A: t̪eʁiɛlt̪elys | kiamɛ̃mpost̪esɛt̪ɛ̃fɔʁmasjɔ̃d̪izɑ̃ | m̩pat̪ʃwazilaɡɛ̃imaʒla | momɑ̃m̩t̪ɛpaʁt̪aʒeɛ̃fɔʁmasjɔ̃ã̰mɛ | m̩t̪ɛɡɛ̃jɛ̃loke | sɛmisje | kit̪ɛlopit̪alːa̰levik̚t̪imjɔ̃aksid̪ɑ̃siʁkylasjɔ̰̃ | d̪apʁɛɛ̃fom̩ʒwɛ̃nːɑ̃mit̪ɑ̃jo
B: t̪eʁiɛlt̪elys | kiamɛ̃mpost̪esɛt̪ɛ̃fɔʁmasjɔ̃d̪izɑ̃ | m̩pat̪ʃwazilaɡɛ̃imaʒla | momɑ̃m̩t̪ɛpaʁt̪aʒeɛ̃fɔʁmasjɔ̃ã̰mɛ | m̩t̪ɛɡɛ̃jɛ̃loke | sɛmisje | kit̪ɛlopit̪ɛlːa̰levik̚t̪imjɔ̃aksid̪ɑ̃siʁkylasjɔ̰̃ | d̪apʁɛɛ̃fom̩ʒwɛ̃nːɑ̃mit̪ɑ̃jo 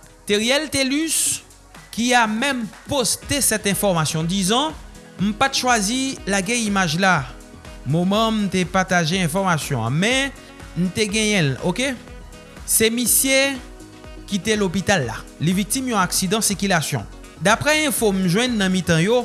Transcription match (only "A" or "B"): A